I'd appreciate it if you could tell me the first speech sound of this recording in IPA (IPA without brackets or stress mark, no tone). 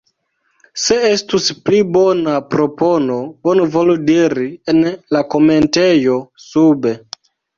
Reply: s